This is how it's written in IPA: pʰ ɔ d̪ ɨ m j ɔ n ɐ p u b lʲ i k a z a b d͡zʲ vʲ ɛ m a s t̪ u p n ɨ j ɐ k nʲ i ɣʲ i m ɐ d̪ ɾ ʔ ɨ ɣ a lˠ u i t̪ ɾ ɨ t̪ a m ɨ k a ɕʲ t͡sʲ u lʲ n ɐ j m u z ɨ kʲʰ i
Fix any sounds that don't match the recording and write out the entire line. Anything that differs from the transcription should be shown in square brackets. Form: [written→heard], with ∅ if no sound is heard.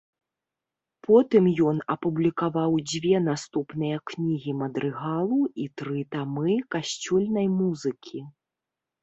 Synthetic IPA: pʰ ɔ [d̪→t̪] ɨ m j ɔ n ɐ p u b lʲ i k a [z→v] a [b→w] d͡zʲ vʲ ɛ [m→n] a s t̪ u p n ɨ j ɐ k nʲ i ɣʲ i m ɐ d̪ ɾ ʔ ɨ ɣ a lˠ u i t̪ ɾ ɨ t̪ a m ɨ k a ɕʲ t͡sʲ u lʲ n ɐ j m u z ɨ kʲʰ i

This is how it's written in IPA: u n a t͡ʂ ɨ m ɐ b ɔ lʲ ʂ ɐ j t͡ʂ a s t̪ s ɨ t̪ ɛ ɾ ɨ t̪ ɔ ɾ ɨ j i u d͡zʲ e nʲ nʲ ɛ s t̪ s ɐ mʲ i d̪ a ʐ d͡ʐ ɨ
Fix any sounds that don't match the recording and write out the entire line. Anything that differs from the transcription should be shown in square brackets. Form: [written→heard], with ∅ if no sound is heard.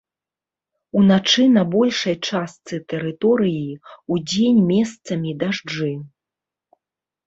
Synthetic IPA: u n a t͡ʂ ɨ [m→n] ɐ b ɔ lʲ ʂ ɐ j t͡ʂ a s t̪ s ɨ t̪ ɛ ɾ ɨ t̪ ɔ ɾ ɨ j i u d͡zʲ e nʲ [nʲ→mʲ] ɛ s t̪ s ɐ mʲ i d̪ a ʐ d͡ʐ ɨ

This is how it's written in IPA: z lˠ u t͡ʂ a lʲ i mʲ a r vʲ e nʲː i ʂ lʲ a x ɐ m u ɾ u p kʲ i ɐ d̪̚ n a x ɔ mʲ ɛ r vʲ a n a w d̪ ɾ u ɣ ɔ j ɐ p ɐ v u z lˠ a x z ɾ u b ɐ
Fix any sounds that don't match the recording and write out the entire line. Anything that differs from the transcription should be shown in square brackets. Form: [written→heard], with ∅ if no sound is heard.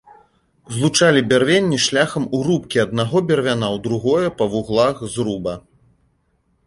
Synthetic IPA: z lˠ u t͡ʂ a lʲ i [mʲ→bʲ] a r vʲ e nʲː i ʂ lʲ a x ɐ m u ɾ u p kʲ i ɐ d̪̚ n a [x→ɣ] ɔ [mʲ→bʲ] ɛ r vʲ a n a w d̪ ɾ u ɣ ɔ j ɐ p ɐ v u [z→ɣ] lˠ a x z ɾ u b ɐ

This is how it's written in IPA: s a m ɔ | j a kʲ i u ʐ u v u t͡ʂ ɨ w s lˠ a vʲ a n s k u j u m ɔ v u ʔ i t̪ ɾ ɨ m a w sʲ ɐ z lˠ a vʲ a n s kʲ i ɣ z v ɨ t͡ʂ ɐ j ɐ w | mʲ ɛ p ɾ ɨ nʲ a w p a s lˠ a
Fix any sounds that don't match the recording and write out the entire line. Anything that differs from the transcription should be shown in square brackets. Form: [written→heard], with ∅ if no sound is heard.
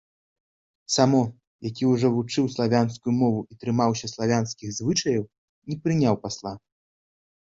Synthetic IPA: s a m ɔ | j a kʲ i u ʐ [u→ɔ] v u t͡ʂ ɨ w s lˠ a vʲ a n s k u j u m ɔ v u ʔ i t̪ ɾ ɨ m a w sʲ ɐ [z→s] lˠ a vʲ a n s kʲ i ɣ z v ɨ t͡ʂ ɐ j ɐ w | [mʲ→nʲ] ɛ p ɾ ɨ nʲ a w p a s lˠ a

